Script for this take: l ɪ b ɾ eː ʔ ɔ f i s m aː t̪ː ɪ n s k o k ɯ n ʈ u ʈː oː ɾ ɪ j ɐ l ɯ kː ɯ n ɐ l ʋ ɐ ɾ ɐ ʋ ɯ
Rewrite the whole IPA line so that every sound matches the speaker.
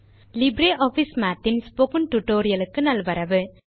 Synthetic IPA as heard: l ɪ b ɾ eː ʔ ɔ f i s m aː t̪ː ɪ n s p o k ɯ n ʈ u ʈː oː ɾ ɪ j ɐ l ɯ kː ɯ n ɐ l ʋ ɐ ɾ ɐ ʋ ɯ